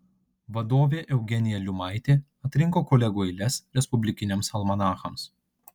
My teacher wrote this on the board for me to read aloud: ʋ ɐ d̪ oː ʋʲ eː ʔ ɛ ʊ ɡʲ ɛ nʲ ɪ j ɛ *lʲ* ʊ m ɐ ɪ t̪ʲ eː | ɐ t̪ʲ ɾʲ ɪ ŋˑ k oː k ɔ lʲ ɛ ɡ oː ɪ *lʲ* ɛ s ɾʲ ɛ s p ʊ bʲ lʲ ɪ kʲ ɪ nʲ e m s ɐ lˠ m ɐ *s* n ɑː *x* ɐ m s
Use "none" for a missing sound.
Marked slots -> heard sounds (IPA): lʲ, lʲ, none, x

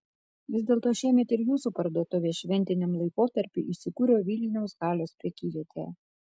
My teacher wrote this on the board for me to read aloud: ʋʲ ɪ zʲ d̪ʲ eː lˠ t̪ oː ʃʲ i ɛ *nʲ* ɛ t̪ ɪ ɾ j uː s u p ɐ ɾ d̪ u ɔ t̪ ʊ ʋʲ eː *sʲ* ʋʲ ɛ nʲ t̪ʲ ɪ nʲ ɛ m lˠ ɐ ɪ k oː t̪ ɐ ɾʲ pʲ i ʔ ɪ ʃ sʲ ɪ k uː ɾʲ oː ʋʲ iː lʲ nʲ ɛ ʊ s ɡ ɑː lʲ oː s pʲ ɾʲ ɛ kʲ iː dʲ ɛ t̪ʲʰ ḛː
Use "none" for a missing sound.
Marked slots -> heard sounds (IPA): mʲ, ʃʲ

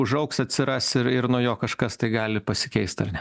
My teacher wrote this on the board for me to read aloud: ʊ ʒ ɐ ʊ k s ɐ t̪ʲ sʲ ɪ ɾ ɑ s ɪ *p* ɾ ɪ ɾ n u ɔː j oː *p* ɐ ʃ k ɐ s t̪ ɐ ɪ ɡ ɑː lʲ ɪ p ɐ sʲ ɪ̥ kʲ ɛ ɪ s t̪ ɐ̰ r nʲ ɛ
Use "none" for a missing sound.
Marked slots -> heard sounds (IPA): none, k

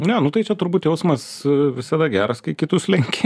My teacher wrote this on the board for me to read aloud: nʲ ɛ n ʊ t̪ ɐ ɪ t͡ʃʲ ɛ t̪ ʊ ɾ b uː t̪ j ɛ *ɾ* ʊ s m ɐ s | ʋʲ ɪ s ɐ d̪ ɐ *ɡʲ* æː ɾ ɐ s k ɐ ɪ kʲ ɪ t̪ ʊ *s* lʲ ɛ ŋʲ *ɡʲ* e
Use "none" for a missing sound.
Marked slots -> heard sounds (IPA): none, ɡʲ, s, kʲ

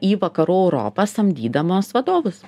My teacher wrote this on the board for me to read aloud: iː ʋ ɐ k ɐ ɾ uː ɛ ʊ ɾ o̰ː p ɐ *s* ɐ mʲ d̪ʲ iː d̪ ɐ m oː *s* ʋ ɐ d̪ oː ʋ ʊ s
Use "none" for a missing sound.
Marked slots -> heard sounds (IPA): s, s

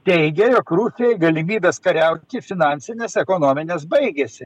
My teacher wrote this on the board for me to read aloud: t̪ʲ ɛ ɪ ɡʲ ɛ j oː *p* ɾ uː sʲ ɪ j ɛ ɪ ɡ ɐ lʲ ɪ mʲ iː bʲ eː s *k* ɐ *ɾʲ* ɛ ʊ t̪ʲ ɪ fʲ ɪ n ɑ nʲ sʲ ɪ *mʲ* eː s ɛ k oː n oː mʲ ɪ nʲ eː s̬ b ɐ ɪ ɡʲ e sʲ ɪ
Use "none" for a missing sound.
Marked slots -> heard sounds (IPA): k, k, ɾʲ, nʲ

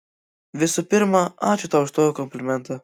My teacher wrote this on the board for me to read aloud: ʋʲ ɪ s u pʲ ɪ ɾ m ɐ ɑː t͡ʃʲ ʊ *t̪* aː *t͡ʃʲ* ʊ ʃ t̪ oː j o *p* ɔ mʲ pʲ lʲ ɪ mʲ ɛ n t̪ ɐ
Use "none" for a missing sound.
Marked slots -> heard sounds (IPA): t̪, none, k

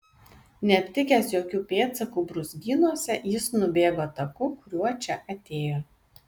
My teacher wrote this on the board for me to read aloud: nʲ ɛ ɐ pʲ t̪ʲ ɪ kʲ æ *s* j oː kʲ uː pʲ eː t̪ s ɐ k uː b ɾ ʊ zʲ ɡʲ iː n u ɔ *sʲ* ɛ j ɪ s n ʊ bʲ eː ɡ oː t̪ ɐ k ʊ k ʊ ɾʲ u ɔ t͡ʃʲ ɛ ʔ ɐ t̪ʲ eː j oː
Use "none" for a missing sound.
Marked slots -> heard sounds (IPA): s, sʲ

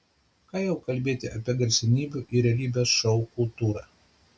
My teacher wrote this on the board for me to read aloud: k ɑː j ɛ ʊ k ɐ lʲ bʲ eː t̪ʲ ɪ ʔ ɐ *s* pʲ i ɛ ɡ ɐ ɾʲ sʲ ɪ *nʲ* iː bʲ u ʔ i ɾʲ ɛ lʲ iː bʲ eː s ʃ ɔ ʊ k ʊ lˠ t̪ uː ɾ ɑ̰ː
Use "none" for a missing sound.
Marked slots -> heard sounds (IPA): none, nʲ

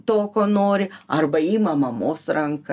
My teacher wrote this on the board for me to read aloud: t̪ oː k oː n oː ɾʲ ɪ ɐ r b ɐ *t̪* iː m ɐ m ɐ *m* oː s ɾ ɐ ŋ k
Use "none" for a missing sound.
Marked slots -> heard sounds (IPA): none, m

